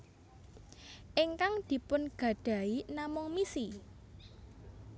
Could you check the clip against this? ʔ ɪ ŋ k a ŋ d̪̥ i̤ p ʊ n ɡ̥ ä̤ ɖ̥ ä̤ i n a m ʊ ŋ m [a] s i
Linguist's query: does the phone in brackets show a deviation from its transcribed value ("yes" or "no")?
yes